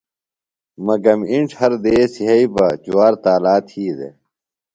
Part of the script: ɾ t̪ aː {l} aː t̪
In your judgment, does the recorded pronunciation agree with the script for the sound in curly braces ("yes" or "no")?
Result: yes